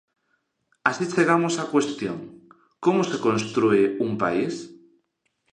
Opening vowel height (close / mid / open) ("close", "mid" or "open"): open